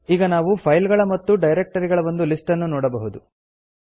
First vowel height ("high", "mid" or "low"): high